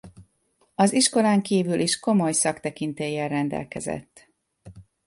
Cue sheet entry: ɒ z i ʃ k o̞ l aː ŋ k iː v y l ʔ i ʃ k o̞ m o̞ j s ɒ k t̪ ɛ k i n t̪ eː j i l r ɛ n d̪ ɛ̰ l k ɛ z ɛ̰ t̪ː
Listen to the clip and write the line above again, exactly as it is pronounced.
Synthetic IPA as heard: ɒ z i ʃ k o̞ l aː ŋ k iː v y l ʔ i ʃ k o̞ m o̞ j s ɒ k t̪ ɛ k i n t̪ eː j ɛ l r ɛ n d̪ ɛ̰ l k ɛ z ɛ̰ t̪ː